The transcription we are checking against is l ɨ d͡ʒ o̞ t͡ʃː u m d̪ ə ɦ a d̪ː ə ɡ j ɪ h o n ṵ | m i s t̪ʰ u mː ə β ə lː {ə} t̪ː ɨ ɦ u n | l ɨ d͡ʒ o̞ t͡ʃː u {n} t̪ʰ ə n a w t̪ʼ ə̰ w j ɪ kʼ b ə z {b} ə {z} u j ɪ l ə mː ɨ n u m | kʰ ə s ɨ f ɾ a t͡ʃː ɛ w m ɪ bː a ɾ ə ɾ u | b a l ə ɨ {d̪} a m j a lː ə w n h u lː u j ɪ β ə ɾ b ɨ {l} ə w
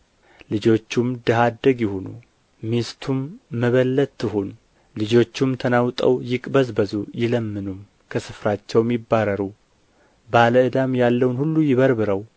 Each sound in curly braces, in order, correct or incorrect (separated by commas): correct, incorrect, correct, correct, correct, incorrect